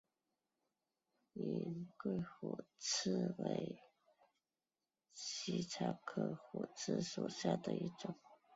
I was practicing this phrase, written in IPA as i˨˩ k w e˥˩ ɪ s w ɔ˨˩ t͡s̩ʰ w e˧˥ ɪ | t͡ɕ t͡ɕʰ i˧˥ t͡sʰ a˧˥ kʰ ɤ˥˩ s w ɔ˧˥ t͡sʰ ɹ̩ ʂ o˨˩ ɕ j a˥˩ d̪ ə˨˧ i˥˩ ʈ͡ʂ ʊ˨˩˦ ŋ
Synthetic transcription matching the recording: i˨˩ k w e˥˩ ɪ x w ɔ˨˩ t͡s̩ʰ w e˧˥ ɪ | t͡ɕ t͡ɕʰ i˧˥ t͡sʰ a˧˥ kʰ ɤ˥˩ x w ɔ˨˩ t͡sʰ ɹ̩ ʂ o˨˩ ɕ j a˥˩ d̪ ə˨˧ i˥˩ ʈ͡ʂ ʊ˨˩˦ ŋ